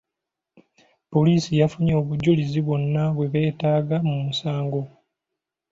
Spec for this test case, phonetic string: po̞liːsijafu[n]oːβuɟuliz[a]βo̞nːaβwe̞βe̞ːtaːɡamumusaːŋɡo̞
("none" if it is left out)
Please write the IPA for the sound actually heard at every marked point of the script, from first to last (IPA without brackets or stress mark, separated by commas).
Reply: ɲ, i